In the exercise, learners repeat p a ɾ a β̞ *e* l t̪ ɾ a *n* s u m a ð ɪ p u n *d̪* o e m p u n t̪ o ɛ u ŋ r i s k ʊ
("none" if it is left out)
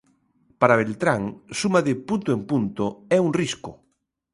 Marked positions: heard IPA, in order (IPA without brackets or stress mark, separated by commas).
e, ŋ, t̪